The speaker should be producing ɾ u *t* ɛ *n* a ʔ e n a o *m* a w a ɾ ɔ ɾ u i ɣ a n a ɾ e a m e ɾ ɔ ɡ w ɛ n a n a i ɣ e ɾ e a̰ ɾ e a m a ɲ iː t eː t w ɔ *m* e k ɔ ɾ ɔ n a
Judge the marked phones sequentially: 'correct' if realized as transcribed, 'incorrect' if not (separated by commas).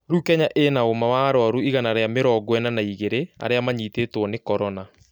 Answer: incorrect, incorrect, correct, incorrect